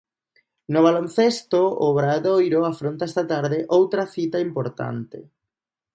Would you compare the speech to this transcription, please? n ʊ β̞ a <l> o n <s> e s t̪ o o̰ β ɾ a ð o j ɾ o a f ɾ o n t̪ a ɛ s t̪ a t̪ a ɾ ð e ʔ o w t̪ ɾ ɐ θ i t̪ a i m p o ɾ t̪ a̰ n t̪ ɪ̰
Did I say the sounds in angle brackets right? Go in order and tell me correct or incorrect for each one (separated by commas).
correct, incorrect